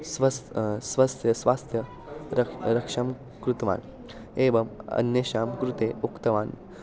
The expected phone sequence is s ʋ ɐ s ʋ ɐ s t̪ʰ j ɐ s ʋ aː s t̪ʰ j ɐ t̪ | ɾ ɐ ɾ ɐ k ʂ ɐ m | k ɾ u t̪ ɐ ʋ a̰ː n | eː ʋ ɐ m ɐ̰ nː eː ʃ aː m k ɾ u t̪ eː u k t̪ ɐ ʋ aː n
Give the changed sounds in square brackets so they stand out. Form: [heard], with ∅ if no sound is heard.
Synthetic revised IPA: s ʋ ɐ s ʋ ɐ s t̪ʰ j ɐ s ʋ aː s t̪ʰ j ɐ [∅] | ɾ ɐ ɾ ɐ k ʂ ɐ m | k ɾ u t̪ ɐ ʋ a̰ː n | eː ʋ ɐ m ɐ̰ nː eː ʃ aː m k ɾ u t̪ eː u k t̪ ɐ ʋ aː n